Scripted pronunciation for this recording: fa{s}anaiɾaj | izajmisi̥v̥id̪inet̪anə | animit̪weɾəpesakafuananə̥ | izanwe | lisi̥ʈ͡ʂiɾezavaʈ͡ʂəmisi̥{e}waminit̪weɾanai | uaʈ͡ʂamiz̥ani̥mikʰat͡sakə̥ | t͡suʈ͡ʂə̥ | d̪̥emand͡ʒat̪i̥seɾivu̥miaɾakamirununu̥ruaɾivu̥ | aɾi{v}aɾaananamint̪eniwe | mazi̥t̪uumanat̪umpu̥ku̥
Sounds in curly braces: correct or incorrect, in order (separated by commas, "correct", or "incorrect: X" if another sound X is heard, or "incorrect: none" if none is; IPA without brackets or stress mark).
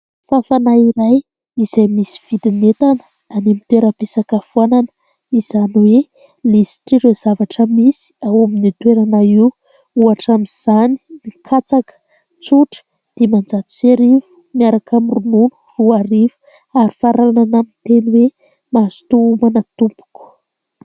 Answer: incorrect: f, incorrect: a, incorrect: f